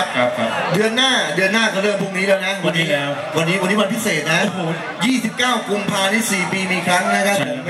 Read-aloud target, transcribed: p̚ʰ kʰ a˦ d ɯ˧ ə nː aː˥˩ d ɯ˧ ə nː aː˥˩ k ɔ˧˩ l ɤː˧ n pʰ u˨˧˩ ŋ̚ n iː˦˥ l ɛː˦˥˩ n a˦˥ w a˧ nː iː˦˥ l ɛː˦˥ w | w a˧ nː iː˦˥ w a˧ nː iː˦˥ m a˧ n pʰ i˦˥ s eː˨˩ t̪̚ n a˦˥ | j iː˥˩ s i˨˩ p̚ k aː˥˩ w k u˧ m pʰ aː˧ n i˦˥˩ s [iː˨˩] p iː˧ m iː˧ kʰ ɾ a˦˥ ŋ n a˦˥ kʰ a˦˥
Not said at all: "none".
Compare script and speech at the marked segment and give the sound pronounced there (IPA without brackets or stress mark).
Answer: iː˨˩